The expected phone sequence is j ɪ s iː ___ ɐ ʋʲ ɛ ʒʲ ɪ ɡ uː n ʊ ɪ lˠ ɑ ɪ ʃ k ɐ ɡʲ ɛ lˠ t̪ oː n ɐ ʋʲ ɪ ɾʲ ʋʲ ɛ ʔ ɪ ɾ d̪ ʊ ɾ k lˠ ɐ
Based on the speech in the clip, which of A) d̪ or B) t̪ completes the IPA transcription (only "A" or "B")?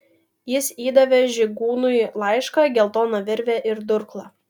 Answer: A